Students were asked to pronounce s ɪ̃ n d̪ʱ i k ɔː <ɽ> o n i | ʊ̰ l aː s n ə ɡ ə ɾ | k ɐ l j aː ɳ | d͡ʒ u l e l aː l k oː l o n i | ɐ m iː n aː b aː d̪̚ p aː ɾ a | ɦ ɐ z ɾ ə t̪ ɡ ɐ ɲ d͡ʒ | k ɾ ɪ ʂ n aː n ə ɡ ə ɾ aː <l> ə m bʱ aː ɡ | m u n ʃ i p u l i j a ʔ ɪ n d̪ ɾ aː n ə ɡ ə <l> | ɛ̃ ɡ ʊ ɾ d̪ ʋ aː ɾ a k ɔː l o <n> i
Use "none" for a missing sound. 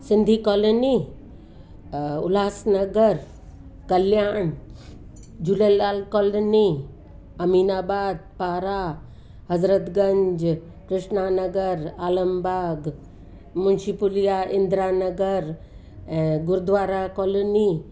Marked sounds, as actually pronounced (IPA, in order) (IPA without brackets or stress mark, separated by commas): l, l, ɾ, n